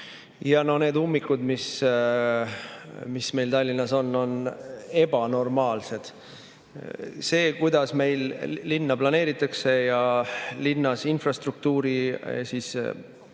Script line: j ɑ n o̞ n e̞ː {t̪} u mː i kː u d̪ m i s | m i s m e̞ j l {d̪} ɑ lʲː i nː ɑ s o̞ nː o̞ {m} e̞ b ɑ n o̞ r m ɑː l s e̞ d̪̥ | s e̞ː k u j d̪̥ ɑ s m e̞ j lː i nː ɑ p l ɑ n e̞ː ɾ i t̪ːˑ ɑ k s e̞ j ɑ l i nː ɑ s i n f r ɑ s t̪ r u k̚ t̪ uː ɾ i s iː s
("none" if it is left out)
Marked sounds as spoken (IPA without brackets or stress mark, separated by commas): d̪, t̪, n